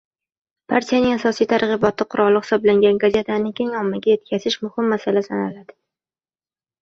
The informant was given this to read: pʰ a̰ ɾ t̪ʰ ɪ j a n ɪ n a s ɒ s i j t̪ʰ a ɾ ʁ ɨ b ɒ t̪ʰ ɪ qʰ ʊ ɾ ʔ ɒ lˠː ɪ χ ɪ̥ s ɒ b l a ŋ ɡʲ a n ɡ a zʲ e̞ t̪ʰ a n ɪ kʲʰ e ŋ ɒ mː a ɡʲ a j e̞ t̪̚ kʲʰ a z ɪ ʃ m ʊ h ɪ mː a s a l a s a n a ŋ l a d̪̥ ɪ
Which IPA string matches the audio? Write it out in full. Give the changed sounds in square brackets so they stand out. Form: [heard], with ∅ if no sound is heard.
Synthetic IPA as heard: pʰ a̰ ɾ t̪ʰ [i] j a n ɪ [ŋ] a s ɒ s i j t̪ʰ a ɾ ʁ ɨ b ɒ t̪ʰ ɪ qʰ ʊ ɾ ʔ ɒ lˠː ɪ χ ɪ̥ s ɒ b l a ŋ ɡʲ a n ɡ a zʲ e̞ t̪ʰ a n ɪ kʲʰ e ŋ ɒ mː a ɡʲ a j e̞ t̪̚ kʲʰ a z ɪ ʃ m ʊ h ɪ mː a s a l a s a n a [∅] l a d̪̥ ɪ